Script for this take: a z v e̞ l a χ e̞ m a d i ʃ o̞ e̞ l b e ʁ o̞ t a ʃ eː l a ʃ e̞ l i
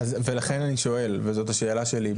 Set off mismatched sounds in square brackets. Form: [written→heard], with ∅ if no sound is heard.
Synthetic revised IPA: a z v e̞ l a χ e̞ [m→n] a [d→n] i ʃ o̞ e̞ l [b→v] e [ʁ→z] o̞ t a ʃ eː l a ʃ e̞ l i